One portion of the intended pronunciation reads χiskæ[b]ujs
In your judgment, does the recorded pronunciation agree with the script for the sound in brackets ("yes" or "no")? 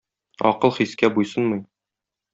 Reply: yes